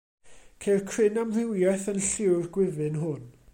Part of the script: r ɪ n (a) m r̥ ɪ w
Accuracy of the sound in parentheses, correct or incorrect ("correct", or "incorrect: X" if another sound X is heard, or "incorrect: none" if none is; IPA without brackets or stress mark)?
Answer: correct